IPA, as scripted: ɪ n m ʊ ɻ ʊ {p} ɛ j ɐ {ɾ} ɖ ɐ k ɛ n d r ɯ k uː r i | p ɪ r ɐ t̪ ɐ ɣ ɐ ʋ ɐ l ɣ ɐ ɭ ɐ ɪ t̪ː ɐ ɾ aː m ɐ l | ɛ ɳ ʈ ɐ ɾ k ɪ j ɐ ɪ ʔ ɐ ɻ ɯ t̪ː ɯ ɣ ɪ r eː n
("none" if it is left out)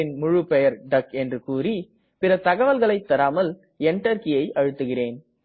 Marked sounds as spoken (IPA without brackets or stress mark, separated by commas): p, ɾ